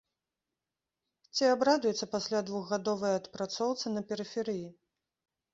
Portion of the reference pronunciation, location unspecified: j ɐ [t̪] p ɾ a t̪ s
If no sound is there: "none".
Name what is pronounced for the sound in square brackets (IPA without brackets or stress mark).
t̪